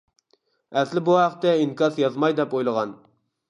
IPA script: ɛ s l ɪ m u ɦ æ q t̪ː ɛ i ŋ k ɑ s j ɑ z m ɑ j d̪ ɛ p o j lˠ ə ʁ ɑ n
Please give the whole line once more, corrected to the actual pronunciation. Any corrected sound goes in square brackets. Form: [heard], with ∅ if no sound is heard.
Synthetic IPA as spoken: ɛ s l ɪ [b] u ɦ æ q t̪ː ɛ i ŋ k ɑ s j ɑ z m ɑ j d̪ ɛ p o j lˠ ə ʁ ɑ n